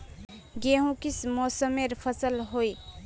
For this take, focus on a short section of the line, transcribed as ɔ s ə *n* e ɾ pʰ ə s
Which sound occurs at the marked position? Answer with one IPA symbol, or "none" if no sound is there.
m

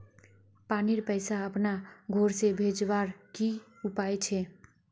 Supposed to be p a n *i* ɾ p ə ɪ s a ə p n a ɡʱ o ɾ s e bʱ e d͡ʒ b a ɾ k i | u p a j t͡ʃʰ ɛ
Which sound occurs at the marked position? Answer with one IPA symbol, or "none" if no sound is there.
i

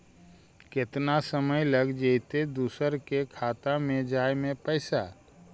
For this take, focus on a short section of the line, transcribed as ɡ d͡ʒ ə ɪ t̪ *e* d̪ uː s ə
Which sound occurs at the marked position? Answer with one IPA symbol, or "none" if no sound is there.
e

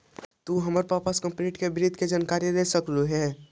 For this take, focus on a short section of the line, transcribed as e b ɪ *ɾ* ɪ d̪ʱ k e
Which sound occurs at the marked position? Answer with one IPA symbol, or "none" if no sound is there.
ɾ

